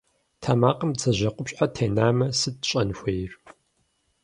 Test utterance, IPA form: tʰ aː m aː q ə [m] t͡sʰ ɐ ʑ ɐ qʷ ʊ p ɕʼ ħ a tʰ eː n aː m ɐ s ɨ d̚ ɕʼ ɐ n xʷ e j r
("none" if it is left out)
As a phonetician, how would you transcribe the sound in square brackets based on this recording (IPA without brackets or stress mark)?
m